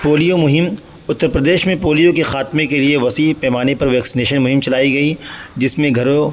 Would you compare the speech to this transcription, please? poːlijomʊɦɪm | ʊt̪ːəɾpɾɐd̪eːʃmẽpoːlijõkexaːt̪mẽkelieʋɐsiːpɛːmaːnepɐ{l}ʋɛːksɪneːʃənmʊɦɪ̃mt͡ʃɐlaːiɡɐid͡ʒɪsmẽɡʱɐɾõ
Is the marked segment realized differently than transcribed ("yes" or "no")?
yes